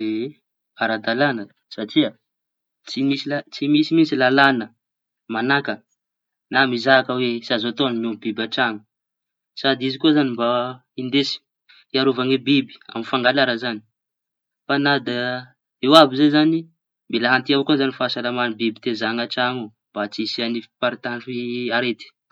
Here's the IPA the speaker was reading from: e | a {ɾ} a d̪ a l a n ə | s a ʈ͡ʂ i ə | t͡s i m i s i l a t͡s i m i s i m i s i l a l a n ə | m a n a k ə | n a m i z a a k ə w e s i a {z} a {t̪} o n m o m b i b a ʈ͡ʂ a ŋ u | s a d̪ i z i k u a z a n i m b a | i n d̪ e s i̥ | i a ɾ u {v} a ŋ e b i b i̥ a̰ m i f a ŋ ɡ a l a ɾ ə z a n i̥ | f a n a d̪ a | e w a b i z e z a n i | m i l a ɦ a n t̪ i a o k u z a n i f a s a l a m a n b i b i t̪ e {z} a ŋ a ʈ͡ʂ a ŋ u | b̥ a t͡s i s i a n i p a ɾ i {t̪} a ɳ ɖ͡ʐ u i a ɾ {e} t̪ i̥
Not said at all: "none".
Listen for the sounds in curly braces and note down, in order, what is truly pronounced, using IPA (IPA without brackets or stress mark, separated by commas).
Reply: ɾ, z, t̪, v, z, t̪, e